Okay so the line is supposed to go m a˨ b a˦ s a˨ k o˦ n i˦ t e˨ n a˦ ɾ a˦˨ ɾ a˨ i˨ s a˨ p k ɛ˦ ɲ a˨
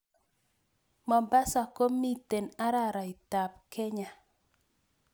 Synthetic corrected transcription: m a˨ b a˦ s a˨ k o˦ m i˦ t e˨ n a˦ ɾ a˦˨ ɾ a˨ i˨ t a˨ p k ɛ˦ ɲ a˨